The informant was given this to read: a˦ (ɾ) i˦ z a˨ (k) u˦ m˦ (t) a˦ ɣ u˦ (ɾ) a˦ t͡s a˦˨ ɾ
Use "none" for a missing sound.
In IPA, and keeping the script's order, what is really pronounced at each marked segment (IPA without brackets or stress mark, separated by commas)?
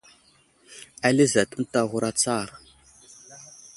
l, t, t, ɾ